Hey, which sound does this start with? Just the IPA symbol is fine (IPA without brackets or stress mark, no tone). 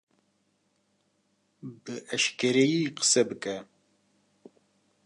b